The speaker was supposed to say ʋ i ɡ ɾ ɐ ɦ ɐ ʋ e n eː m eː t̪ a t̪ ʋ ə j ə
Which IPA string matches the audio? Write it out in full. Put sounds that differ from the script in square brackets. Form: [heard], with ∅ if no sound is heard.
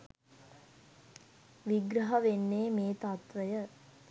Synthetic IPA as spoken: ʋ i ɡ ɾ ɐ ɦ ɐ ʋ e [nː] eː m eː t̪ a t̪ ʋ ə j ə